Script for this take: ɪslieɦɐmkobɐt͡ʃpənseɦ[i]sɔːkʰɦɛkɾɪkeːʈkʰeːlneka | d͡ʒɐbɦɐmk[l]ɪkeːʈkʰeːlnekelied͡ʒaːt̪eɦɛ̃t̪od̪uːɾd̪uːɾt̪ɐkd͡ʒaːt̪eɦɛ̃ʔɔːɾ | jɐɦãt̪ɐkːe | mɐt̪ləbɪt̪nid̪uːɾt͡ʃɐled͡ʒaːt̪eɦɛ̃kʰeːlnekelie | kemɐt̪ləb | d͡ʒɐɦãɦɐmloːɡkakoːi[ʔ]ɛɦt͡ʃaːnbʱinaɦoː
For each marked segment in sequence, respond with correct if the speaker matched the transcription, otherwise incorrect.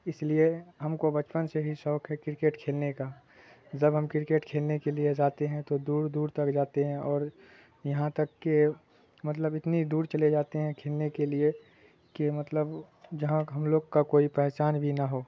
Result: correct, incorrect: ɾ, incorrect: p

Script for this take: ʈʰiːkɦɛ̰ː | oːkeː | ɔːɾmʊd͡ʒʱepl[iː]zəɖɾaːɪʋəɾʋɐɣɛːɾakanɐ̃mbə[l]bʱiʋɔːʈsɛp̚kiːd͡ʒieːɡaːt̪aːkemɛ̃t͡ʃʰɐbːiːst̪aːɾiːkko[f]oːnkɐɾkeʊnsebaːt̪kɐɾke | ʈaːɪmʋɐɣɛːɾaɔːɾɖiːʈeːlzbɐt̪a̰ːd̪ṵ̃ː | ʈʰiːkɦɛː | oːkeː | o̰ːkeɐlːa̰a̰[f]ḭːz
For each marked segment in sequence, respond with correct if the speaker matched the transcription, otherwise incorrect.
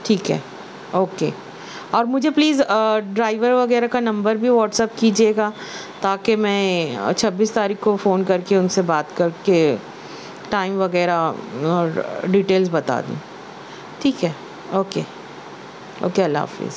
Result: correct, incorrect: ɾ, correct, correct

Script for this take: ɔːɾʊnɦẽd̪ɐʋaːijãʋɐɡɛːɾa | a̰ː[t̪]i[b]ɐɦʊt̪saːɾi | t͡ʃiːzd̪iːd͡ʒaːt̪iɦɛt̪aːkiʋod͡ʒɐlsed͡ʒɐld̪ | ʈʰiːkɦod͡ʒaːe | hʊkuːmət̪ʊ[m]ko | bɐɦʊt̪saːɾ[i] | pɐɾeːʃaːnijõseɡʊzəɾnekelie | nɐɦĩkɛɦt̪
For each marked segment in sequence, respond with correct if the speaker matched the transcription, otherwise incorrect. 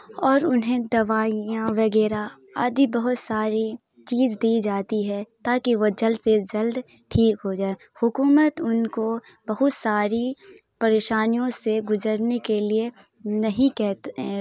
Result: incorrect: d̪, correct, incorrect: n, correct

